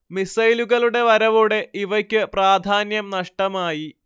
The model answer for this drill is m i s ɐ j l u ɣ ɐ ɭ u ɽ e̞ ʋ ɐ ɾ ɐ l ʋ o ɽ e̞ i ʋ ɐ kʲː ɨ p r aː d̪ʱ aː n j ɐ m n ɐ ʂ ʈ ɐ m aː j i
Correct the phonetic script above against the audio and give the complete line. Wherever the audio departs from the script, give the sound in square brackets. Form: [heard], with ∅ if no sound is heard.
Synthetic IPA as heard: m i s ɐ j l u ɣ ɐ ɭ u ɽ e̞ ʋ ɐ ɾ ɐ [∅] ʋ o ɽ e̞ i ʋ ɐ kʲː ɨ p r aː d̪ʱ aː n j ɐ m n ɐ ʂ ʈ ɐ m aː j i